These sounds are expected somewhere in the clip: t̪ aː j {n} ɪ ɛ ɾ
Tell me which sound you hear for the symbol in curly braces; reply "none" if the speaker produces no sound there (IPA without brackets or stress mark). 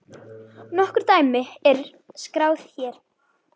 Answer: m